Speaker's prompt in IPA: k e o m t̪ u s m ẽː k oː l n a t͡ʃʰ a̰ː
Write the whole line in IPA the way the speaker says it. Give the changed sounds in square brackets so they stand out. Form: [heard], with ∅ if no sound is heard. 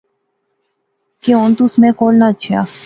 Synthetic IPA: k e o [n] t̪ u s m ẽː k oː l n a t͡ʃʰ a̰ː

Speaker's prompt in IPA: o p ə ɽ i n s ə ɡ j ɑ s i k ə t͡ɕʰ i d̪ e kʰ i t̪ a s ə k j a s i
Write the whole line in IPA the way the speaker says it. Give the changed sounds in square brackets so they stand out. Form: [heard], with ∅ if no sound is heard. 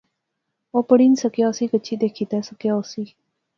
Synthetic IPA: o p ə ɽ i n s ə [k] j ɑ s i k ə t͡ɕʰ i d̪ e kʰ i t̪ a s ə k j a s i

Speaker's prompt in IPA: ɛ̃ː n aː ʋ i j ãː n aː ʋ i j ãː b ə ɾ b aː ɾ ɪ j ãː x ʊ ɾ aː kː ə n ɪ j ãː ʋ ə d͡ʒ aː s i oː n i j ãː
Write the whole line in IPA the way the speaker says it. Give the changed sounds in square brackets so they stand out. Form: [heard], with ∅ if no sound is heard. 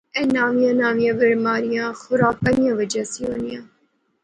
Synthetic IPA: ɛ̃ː n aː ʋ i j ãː n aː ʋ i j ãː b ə ɾ [m] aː ɾ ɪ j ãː x ʊ ɾ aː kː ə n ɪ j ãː ʋ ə d͡ʒ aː s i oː n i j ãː

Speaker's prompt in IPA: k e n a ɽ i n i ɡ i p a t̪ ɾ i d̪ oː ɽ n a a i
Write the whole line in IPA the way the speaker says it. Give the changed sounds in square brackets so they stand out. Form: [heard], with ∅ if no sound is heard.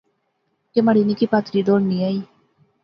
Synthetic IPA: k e [m] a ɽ i n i [k] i p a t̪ ɾ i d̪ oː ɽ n [i] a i

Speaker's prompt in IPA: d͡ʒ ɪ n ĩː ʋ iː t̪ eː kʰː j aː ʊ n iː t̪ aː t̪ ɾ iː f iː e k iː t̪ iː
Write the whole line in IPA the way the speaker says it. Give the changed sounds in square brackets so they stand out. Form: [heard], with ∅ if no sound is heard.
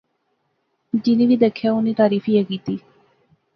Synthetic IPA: d͡ʒ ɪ n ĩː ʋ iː [d̪] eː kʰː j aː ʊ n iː t̪ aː [∅] ɾ iː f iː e k iː t̪ iː

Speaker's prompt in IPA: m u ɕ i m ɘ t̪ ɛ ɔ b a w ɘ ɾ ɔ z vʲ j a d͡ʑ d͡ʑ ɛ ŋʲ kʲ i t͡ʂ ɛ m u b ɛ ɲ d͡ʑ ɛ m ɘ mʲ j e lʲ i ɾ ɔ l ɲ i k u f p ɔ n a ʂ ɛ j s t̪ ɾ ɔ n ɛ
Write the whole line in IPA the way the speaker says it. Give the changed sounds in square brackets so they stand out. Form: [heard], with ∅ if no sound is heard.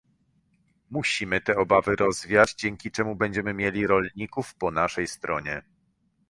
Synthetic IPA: m u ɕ i m ɘ t̪ ɛ ɔ b a [v] ɘ ɾ ɔ z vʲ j a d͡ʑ d͡ʑ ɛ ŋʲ kʲ i t͡ʂ ɛ m u b ɛ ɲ d͡ʑ ɛ m ɘ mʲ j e lʲ i ɾ ɔ l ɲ i k u f p ɔ n a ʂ ɛ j s t̪ ɾ ɔ [ɲ] ɛ

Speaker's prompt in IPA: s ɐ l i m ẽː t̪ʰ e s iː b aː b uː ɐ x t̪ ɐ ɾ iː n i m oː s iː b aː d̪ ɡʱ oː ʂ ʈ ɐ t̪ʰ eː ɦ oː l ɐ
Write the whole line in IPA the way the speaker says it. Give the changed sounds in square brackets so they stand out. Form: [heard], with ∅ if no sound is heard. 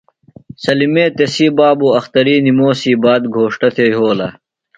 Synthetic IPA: s ɐ l i m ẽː [t̪] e s iː b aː b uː ɐ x t̪ ɐ ɾ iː n i m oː s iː b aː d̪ ɡʱ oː ʂ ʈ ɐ t̪ʰ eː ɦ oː l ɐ

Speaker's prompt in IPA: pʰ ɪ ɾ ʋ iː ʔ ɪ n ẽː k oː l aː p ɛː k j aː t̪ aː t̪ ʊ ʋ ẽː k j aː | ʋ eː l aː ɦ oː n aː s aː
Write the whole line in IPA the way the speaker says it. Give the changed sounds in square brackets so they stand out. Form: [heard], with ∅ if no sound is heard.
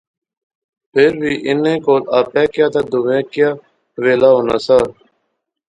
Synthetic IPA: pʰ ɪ ɾ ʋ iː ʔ ɪ n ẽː k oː l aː p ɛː k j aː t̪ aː [d̪] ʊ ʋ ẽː k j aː | ʋ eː l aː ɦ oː n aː s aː

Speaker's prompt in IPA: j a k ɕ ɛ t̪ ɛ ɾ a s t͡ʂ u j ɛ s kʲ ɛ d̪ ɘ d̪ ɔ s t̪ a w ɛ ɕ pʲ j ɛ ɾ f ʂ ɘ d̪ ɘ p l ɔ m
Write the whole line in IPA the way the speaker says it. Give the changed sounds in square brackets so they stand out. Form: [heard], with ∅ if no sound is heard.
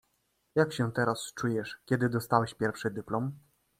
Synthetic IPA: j a k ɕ ɛ t̪ ɛ ɾ a s t͡ʂ u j ɛ [ʂ] kʲ ɛ d̪ ɘ d̪ ɔ s t̪ a w ɛ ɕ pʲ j ɛ ɾ f ʂ ɘ d̪ ɘ p l ɔ m

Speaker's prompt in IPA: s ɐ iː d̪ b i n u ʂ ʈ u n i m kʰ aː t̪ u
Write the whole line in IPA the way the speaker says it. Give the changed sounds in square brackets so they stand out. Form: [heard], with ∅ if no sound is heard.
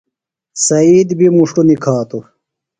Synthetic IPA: s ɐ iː d̪ b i [m] u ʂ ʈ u n i [∅] kʰ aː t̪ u

